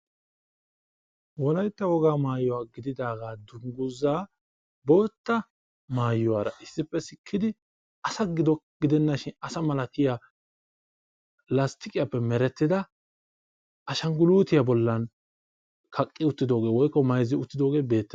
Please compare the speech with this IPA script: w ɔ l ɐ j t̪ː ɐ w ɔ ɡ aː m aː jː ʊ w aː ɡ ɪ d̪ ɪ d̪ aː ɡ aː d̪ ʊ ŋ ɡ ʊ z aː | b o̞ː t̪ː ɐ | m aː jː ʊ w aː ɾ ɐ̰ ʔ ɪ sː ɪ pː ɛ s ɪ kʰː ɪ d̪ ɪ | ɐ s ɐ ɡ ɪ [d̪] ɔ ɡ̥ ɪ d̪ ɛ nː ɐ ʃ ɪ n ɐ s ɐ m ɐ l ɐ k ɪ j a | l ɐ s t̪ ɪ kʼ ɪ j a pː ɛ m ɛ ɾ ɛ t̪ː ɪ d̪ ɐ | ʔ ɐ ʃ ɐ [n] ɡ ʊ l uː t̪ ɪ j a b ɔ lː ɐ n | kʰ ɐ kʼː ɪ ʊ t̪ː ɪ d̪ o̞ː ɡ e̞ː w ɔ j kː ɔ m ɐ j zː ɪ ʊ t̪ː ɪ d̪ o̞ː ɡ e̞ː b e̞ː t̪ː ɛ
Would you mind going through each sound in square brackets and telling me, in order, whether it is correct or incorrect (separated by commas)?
correct, incorrect